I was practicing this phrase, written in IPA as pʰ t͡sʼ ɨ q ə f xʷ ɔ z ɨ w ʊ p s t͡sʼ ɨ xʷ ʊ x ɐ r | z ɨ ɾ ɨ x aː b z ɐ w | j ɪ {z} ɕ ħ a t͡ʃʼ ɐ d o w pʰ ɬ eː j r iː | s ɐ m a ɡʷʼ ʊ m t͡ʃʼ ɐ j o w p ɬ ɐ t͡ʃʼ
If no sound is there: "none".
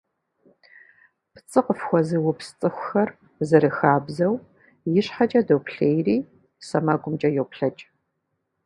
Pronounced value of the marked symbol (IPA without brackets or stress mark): none